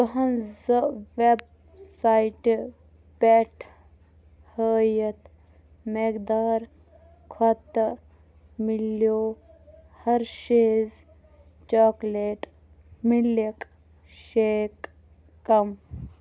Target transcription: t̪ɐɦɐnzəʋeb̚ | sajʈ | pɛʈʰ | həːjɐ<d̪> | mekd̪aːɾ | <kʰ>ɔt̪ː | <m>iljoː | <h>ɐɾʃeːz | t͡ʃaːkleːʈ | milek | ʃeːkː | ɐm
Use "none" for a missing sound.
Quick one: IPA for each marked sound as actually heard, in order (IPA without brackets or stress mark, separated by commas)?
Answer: t̪, kʰ, m, h